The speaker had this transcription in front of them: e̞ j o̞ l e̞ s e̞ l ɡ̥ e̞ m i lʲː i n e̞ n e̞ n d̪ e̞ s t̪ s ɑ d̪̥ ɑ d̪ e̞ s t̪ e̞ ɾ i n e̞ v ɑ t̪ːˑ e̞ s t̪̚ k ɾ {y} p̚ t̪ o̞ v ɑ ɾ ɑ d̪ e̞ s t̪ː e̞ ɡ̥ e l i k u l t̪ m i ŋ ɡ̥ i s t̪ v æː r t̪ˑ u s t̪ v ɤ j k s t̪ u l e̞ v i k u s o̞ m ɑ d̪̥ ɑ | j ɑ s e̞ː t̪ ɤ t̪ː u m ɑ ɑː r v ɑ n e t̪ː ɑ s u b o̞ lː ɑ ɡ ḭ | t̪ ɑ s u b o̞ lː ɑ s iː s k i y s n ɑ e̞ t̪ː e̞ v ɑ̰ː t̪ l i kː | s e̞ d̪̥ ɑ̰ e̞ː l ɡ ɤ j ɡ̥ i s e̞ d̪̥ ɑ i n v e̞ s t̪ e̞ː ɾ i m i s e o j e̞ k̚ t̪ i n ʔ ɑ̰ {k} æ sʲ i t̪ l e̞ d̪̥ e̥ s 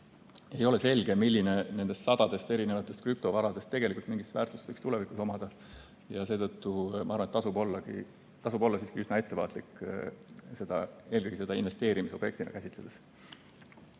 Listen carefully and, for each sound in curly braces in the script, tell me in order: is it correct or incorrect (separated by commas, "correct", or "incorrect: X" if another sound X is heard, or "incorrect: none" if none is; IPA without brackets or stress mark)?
correct, correct